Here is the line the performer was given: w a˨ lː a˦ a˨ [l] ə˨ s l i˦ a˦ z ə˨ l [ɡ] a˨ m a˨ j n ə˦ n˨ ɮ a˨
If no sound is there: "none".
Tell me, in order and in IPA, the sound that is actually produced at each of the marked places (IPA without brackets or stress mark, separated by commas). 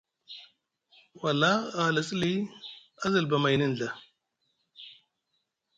l, b